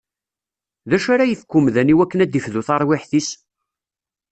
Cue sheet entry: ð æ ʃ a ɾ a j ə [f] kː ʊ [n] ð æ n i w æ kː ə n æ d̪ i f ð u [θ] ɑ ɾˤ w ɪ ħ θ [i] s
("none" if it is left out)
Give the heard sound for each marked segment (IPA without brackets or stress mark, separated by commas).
f, m, θ, i